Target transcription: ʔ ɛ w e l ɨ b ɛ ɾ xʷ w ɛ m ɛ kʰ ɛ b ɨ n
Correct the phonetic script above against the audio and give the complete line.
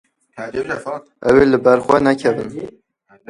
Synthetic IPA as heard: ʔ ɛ w e l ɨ b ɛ ɾ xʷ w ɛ n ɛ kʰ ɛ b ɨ n